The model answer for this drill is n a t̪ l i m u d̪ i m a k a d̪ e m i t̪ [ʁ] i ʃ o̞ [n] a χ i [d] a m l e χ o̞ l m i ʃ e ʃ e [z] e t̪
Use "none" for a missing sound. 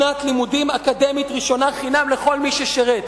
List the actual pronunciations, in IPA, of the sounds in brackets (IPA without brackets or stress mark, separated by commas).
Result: ʁ, n, n, ʁ